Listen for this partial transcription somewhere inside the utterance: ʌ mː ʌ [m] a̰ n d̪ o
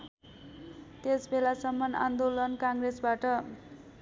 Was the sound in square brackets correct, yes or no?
no